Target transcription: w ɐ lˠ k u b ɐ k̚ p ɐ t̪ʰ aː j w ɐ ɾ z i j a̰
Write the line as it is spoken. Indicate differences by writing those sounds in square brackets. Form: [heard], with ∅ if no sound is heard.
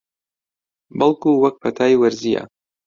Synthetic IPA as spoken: [b] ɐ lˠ k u [w] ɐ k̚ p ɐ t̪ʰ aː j w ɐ ɾ z i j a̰